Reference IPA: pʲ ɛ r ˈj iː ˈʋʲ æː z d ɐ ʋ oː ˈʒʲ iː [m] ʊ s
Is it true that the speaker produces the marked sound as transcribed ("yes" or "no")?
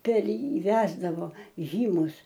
yes